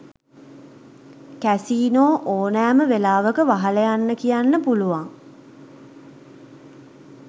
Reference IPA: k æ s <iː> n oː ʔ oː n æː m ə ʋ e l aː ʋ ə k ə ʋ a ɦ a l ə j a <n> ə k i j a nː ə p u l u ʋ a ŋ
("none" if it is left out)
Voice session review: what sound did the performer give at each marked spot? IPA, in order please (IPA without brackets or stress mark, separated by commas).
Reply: iː, nː